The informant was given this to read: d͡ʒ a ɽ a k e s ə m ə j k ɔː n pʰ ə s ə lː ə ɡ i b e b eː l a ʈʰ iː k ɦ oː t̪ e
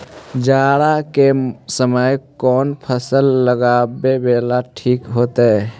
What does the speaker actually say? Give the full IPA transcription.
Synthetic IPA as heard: d͡ʒ a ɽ a k e s ə m ə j k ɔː n pʰ ə s ə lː ə ɡ a b e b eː l a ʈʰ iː k ɦ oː t̪ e